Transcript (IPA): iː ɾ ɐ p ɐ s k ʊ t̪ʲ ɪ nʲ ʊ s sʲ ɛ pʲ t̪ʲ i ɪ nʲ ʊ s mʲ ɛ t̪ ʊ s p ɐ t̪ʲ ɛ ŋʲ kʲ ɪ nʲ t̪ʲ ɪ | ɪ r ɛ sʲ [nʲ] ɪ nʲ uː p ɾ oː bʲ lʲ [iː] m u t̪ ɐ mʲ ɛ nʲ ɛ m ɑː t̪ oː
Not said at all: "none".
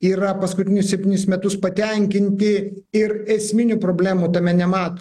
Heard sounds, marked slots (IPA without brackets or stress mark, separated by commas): mʲ, æː